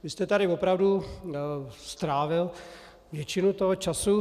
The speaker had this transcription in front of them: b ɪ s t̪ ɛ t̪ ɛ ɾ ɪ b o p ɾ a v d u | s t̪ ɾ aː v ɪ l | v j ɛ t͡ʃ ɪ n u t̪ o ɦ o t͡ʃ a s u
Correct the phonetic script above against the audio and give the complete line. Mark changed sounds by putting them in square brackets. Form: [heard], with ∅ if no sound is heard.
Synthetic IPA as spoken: [v] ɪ s t̪ ɛ t̪ [a] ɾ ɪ [v] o p ɾ a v d u | s t̪ ɾ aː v ɪ l | v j ɛ t͡ʃ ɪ n u t̪ o ɦ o t͡ʃ a s u